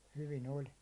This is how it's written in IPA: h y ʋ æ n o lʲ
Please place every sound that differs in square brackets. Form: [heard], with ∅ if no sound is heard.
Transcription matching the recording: h y ʋ [i] n o lʲ